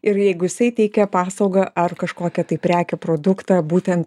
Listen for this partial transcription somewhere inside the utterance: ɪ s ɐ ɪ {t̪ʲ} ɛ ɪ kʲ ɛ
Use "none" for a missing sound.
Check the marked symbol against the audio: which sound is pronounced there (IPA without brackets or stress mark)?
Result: t̪ʲ